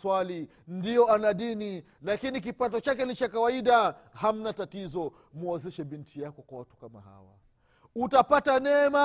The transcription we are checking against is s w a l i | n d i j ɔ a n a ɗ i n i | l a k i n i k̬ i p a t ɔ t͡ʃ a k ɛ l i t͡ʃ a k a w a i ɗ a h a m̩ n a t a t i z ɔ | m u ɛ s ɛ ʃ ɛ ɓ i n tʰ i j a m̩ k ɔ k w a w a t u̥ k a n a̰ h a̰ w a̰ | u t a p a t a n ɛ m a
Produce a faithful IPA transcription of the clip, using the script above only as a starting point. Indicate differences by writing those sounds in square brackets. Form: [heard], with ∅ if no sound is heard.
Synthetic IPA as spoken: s w a l i | n d i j ɔ a n a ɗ i n i | l a k i n i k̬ i p a t ɔ t͡ʃ a k ɛ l i t͡ʃ a k a w a i ɗ a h a m̩ n a t a t i z ɔ | m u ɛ [z] ɛ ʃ ɛ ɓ i n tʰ i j a [∅] k ɔ k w a w a t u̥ k a [m] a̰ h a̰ w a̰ | u t a p a t a n ɛ m a